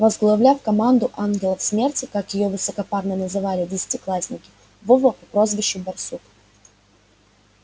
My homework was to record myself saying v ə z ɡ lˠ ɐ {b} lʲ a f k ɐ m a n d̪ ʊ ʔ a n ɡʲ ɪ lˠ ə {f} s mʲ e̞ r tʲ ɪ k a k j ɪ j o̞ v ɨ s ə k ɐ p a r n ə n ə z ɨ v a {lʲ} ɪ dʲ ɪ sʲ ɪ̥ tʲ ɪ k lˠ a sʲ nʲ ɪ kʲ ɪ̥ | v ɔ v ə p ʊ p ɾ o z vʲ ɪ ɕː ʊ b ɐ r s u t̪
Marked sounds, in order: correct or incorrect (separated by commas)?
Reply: incorrect, correct, correct